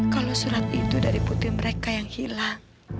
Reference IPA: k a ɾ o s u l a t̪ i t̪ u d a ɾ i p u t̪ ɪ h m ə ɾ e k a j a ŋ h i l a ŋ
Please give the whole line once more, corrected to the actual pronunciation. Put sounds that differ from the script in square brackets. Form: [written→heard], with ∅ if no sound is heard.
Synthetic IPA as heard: k a [ɾ→l] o s u [l→ɾ] a t̪ i t̪ u d a ɾ i p u t̪ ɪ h m ə ɾ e k a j a ŋ h i l a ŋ